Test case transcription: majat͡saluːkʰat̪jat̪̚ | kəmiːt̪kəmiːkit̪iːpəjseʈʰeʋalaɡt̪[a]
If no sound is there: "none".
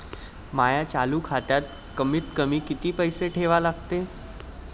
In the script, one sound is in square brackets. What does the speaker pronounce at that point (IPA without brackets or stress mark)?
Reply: e